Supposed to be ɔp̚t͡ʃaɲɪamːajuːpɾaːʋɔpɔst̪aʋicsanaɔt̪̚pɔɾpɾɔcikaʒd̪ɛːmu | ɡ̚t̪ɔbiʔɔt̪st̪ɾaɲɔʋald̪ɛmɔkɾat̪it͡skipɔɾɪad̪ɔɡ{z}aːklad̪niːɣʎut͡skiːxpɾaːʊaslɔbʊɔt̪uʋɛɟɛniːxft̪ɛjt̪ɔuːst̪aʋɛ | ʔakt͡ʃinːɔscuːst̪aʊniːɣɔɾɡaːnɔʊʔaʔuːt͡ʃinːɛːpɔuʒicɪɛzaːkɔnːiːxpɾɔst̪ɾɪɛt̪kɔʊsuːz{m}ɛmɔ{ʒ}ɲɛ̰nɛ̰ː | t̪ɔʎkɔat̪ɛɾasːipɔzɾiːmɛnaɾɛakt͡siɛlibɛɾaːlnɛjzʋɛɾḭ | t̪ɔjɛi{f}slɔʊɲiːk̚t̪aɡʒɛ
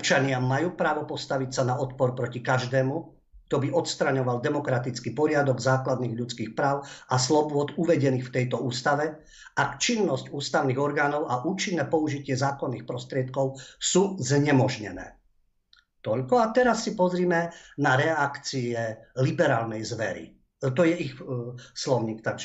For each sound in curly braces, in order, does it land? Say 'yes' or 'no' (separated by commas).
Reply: yes, no, yes, no